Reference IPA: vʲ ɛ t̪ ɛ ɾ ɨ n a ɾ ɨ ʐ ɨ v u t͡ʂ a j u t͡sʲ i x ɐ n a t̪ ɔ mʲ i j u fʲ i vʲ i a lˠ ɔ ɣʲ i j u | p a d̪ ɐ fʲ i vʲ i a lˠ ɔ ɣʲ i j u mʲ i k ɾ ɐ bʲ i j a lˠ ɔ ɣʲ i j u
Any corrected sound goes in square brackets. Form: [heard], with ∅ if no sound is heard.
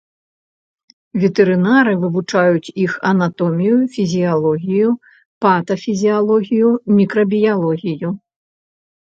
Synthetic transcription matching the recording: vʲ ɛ t̪ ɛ ɾ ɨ n a ɾ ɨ [v] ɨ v u t͡ʂ a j u t͡sʲ i x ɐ n a t̪ ɔ mʲ i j u fʲ i [zʲ] i a lˠ ɔ ɣʲ i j u | p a [t̪] ɐ fʲ i [zʲ] i a lˠ ɔ ɣʲ i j u mʲ i k ɾ ɐ bʲ i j a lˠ ɔ ɣʲ i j u